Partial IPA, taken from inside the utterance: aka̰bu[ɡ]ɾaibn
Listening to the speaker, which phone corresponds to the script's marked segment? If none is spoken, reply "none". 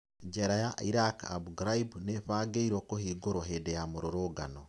ɡ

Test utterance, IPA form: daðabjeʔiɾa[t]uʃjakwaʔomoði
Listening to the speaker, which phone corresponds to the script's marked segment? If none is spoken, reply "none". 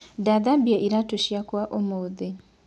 t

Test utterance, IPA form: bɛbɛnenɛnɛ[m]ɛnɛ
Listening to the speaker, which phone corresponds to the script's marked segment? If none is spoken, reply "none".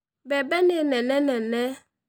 n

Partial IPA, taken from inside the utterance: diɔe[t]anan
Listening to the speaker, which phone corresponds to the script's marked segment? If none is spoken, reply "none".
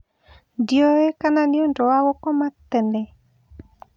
k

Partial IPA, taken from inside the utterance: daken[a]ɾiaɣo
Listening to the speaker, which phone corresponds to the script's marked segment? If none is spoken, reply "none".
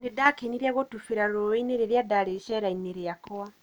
i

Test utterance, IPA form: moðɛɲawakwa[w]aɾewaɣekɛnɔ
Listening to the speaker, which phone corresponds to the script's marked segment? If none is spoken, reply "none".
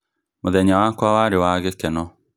w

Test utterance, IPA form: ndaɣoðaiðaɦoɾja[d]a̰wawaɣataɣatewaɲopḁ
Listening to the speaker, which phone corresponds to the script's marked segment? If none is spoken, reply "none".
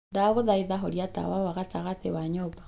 t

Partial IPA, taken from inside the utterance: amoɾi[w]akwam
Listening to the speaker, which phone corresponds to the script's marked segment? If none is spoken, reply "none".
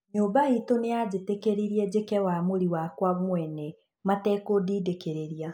w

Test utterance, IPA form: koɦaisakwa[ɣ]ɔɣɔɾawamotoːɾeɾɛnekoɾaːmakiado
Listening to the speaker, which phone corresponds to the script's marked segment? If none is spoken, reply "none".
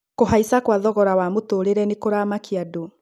ð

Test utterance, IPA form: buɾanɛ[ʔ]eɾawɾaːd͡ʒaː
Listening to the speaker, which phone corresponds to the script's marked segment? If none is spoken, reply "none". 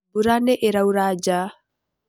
ʔ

